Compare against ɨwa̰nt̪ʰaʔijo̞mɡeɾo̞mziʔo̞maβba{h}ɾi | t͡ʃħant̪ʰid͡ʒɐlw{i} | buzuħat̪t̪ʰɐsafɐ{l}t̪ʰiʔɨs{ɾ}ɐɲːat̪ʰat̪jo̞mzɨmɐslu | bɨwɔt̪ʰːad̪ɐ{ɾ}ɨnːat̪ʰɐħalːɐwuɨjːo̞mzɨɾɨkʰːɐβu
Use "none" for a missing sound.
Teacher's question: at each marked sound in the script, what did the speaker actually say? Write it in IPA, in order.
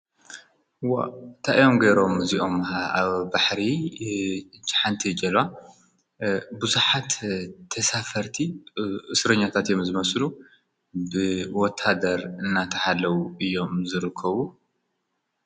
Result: ħ, a, ɾ, ɾ, ɾ

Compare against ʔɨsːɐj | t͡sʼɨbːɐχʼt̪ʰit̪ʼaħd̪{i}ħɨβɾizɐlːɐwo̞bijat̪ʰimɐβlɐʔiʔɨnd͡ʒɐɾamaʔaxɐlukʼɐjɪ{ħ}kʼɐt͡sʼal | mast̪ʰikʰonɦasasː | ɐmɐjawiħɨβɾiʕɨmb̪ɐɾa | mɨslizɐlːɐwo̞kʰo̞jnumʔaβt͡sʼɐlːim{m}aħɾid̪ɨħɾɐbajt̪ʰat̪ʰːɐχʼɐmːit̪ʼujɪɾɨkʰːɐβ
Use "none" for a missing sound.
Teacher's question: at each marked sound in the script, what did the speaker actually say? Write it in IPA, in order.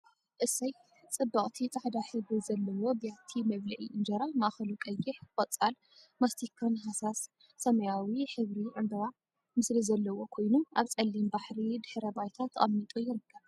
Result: a, ħ, b

